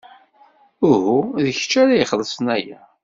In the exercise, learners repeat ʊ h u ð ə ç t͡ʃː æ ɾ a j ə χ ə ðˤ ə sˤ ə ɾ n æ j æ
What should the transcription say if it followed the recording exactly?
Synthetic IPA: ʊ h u ð ə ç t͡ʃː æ ɾ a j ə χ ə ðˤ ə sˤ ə n æ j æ